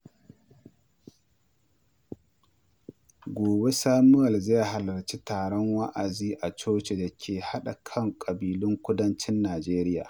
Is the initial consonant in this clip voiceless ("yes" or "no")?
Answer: no